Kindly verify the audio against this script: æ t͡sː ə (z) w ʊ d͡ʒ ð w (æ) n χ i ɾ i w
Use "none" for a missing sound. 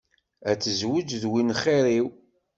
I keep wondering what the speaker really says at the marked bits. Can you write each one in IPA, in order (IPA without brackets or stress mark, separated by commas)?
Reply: z, i